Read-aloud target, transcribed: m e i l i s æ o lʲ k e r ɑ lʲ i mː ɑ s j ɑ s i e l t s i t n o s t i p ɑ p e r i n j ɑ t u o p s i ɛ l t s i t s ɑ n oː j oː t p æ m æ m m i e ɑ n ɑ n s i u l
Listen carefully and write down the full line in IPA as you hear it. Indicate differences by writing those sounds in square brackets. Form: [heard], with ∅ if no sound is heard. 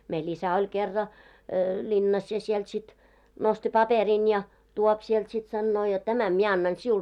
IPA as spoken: m e i l i s æ o lʲ k e [rː] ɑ lʲ i [nː] ɑ s j ɑ s i e l t s i t n o s t i p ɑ p e r i n j ɑ t u o p s i ɛ l t s i t s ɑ [nː] oː j [o] t [t] æ m æ m m i e ɑ [nː] ɑ n s i u l